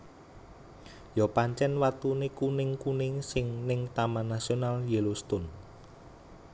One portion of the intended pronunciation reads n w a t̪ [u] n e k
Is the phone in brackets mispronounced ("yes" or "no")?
no